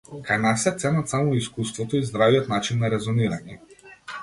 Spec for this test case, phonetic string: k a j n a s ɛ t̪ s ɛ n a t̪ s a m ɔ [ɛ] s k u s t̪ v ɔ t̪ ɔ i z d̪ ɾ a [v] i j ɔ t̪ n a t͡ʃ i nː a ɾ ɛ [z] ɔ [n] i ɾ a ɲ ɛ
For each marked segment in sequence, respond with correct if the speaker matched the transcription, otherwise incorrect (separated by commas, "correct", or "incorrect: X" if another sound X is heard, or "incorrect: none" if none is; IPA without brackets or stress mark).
incorrect: i, correct, correct, correct